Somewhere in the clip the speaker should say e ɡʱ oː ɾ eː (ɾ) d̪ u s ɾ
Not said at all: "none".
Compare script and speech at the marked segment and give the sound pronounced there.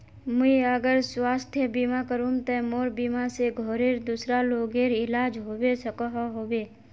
ɾ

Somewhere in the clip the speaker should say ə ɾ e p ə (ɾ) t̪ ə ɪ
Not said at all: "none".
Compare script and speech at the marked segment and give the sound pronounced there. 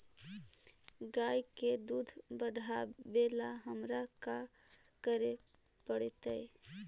ɽ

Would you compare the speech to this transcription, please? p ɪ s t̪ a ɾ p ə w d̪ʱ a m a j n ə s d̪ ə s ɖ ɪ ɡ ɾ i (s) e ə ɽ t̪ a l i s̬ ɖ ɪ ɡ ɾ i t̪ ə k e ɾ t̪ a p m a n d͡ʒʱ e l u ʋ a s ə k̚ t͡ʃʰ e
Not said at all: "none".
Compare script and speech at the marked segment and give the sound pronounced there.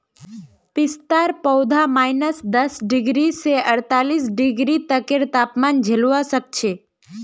s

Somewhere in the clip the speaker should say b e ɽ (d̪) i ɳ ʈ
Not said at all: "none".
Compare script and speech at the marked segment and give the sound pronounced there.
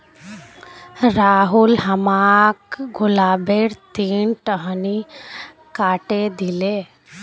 t̪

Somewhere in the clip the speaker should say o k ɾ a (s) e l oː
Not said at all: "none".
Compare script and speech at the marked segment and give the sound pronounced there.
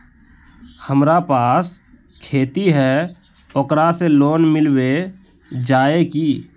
s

